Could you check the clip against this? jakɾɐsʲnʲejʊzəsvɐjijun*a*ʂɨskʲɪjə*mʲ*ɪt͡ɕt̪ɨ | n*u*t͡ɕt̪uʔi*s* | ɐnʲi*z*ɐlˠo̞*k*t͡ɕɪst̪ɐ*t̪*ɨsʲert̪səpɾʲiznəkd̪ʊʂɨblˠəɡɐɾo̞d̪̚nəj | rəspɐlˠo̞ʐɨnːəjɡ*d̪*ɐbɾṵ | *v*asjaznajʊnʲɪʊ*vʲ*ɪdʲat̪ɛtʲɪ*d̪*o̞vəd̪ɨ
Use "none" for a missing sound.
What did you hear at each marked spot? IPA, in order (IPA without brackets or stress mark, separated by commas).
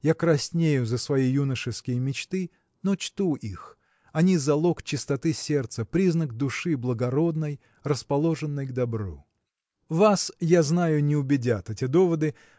ə, mʲ, o, x, z, k, t̪, d̪, v, bʲ, d̪